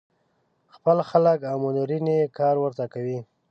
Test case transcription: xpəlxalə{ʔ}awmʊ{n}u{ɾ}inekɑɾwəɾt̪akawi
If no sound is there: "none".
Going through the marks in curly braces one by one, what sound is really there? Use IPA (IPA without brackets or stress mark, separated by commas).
k, n, ɾ